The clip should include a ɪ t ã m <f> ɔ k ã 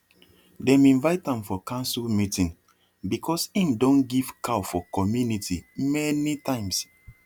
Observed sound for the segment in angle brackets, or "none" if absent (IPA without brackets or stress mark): f